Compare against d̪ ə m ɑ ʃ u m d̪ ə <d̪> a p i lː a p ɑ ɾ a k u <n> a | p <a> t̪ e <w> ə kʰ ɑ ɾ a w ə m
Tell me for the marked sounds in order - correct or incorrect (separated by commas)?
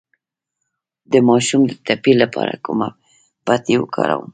incorrect, incorrect, correct, correct